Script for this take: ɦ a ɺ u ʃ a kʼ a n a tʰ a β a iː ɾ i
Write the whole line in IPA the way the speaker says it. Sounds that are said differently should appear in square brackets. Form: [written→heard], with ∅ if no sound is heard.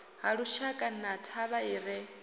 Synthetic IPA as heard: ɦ a ɺ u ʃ a kʼ a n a tʰ a β a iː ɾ [i→ɛ]